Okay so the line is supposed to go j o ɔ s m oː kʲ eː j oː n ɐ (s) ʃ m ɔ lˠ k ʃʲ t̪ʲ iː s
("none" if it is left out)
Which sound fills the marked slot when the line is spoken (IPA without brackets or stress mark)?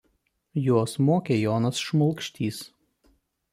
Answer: s